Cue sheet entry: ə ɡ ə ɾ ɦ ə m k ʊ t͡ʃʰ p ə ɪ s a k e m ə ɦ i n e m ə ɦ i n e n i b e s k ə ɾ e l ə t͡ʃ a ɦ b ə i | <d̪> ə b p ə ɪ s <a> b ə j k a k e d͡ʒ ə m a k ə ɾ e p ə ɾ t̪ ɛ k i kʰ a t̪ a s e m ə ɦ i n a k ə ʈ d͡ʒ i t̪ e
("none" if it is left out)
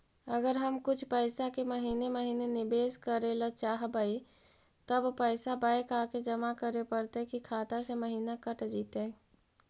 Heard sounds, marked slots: t̪, a

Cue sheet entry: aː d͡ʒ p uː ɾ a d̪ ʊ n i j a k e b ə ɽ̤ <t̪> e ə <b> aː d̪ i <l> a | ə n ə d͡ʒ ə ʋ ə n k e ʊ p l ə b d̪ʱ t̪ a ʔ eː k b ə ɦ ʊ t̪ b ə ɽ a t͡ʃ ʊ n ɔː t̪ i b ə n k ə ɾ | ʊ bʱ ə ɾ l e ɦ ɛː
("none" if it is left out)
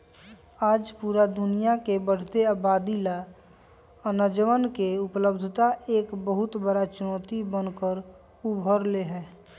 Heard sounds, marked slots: t̪, b, l

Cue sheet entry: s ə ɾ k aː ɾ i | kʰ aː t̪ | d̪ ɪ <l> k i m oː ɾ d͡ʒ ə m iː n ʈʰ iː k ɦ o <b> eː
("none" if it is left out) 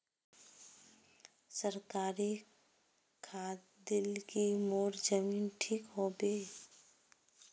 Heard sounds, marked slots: l, b

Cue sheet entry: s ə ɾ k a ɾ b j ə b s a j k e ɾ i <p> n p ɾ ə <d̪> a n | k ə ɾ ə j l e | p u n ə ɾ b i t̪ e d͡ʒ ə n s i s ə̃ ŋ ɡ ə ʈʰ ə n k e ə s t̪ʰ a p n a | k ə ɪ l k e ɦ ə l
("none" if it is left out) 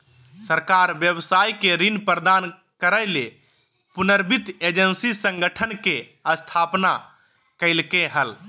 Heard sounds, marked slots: none, d̪

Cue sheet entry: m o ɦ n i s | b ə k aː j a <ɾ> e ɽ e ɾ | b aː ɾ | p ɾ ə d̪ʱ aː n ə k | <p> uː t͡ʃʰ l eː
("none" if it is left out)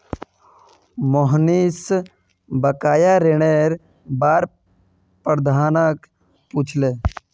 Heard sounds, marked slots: ɾ, p

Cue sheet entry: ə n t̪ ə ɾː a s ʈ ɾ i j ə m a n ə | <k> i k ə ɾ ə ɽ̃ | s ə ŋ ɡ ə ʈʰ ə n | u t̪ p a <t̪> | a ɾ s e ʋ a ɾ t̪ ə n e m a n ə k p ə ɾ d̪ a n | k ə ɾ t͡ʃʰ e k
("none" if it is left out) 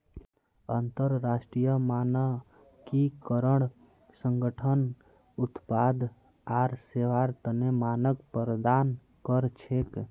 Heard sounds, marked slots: k, d̪

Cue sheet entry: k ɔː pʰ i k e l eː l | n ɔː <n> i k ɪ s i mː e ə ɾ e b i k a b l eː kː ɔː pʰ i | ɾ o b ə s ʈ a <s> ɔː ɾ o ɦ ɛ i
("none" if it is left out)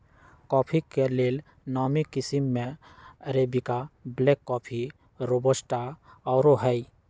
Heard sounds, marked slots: m, none

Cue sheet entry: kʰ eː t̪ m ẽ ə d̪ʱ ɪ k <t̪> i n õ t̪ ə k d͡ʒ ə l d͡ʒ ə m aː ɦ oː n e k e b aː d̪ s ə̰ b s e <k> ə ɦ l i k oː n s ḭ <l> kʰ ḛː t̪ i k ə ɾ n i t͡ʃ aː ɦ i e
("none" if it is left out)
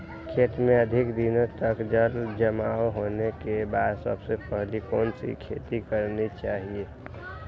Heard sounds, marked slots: d̪, p, none

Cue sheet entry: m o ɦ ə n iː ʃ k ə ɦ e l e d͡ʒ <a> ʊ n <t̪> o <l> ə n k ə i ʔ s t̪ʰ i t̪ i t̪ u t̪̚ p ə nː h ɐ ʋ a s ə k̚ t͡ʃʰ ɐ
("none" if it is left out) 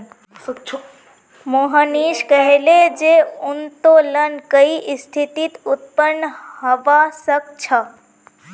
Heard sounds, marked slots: e, t̪, l

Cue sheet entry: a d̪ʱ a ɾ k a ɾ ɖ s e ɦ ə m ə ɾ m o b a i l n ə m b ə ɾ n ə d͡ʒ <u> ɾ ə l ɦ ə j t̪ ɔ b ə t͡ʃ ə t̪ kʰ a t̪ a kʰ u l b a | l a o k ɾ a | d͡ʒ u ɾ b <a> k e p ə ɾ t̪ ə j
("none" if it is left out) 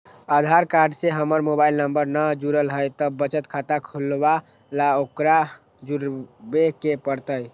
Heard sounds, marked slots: u, e

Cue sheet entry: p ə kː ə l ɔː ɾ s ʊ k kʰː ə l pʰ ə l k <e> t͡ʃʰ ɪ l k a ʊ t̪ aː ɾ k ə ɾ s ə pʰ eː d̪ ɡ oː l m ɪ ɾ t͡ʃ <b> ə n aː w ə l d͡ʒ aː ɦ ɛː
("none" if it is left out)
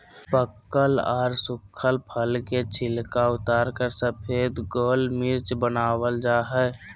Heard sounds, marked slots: e, b

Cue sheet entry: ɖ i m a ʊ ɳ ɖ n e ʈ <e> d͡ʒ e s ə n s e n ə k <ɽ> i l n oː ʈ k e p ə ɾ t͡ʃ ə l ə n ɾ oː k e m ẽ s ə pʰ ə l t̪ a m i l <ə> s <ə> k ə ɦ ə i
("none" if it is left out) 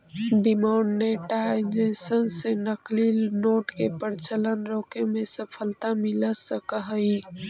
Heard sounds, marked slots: a, l, ə, ə

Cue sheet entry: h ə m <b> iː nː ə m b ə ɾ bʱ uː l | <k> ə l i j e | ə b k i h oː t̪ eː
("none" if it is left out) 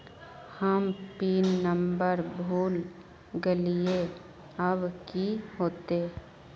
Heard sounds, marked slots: p, ɡ

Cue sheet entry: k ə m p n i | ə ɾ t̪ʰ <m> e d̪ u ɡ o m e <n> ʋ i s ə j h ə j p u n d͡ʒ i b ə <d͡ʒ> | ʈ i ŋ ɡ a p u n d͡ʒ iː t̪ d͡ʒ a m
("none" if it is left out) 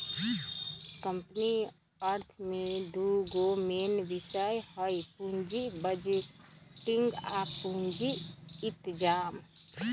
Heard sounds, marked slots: m, n, d͡ʒ

